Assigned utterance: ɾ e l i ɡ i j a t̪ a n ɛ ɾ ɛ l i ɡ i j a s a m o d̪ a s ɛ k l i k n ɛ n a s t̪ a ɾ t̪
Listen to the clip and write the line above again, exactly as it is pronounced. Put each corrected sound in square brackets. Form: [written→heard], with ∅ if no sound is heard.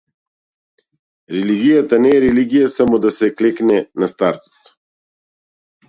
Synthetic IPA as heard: ɾ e l i ɡ i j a t̪ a n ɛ ɾ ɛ l i ɡ i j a s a m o d̪ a s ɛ k l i k n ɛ n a s t̪ a ɾ t̪